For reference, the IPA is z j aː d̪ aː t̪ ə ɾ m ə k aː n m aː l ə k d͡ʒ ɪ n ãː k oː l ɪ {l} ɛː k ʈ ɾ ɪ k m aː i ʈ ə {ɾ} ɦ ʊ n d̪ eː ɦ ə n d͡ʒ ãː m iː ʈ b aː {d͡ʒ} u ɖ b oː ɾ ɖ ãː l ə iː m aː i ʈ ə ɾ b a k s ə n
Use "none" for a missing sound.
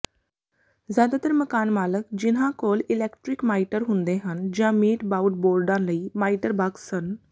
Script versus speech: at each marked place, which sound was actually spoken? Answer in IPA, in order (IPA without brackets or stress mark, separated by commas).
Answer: l, ɾ, none